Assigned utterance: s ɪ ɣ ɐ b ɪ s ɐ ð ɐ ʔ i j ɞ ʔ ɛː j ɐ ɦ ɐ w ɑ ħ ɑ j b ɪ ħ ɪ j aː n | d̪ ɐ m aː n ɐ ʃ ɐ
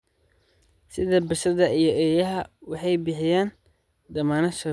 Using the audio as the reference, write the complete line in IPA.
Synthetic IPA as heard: s ɪ ð ɐ b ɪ ʃ ɐ ð ɐ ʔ i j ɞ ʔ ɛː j ɐ ɦ ɐ w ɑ ħ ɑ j b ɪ ħ ɪ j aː n | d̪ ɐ m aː n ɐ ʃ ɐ